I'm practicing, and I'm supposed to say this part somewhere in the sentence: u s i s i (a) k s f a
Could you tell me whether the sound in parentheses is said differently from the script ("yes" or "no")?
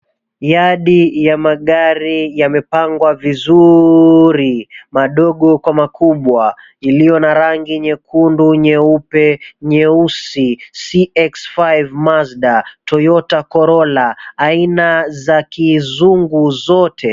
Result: yes